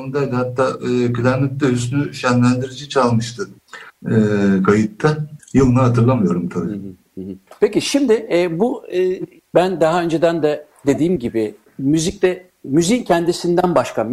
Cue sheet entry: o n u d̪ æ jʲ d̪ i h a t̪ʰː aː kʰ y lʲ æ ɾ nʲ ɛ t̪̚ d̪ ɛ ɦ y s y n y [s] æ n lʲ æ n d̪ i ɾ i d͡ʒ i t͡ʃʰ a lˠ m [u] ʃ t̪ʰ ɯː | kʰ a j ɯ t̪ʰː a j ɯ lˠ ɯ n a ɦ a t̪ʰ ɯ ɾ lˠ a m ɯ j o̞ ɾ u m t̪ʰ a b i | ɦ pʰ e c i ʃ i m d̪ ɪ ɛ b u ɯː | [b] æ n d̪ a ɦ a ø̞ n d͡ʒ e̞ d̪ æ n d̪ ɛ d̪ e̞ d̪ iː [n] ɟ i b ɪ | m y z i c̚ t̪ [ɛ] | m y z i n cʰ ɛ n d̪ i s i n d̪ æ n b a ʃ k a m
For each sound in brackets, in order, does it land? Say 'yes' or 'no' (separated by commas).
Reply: no, no, yes, no, yes